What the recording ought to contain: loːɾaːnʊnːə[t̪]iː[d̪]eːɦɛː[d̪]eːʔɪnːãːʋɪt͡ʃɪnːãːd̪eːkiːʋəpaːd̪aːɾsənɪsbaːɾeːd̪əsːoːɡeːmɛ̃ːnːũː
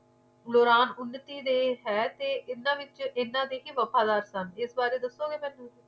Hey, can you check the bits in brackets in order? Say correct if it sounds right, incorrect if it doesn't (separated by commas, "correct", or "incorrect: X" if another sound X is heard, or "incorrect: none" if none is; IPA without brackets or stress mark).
correct, correct, incorrect: t̪